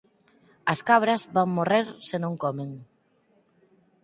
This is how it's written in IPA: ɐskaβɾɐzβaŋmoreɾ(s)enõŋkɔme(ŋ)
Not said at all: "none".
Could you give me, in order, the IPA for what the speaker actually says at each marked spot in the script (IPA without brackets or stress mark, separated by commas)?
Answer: s, ŋ